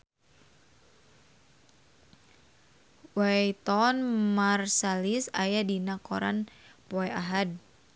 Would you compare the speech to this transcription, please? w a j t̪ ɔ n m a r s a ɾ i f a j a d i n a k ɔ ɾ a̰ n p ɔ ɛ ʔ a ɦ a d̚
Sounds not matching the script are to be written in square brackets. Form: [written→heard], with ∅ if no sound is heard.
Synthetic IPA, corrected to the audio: w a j t̪ ɔ n m a r s a [ɾ→l] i [f→s] a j a d i n a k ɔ ɾ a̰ n p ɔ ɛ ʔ a ɦ a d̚